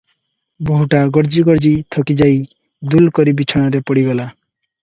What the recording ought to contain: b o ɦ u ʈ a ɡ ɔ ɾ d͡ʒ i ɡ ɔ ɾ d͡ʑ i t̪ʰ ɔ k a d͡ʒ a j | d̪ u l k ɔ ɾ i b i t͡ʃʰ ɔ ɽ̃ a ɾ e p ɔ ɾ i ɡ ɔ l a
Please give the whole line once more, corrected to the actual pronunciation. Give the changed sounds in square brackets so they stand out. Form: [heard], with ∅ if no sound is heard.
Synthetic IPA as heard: b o ɦ u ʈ a ɡ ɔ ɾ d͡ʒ i ɡ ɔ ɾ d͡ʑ i t̪ʰ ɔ k [i] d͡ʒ a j | d̪ u l k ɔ ɾ i b i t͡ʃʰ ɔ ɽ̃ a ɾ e p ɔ [ɽ] i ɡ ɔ l a